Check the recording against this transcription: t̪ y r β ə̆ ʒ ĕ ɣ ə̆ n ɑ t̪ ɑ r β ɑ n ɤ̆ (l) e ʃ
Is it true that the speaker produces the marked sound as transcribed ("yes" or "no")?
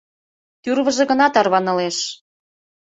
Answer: yes